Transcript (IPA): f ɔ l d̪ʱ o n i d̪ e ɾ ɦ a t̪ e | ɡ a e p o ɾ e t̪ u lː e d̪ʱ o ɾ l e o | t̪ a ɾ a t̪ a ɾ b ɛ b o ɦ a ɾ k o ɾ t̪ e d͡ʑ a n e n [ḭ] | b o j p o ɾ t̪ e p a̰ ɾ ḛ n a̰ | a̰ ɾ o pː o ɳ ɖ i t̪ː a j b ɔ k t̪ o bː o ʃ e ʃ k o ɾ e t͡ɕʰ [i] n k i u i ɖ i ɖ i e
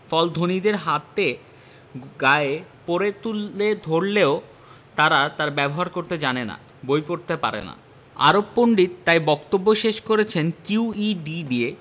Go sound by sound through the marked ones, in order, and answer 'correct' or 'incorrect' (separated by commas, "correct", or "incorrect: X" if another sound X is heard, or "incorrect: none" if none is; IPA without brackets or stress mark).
incorrect: a̰, incorrect: e